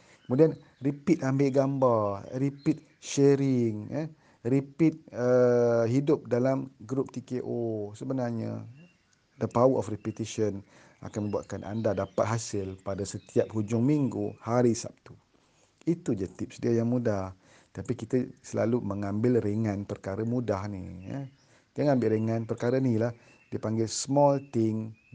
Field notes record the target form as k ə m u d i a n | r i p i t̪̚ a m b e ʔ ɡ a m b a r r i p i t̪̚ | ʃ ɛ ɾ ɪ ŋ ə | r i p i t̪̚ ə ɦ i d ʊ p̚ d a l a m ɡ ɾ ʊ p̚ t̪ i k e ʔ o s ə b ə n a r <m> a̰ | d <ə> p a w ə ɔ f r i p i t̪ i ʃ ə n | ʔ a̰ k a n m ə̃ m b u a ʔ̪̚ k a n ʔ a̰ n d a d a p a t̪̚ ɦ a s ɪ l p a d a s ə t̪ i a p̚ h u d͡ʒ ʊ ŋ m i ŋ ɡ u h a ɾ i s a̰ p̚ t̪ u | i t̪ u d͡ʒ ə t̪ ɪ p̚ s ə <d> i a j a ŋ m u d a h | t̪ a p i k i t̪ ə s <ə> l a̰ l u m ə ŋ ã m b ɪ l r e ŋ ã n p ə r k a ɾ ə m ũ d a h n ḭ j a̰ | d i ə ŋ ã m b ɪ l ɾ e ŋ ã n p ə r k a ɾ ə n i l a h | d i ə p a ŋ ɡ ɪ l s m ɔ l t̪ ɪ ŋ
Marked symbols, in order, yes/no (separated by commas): no, yes, yes, yes